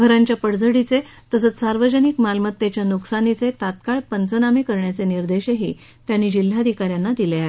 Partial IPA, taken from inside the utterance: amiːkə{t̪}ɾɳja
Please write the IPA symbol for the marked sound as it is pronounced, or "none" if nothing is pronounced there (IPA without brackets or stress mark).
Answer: none